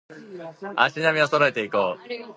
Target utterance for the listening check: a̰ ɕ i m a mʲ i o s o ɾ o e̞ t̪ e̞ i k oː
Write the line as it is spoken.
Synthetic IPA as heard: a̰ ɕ i n a mʲ i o s o ɾ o e̞ t̪ e̞ i k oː